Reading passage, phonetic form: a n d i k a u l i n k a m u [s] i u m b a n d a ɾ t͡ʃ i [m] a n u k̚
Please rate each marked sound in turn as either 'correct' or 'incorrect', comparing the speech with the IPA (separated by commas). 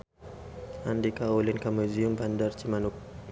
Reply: incorrect, correct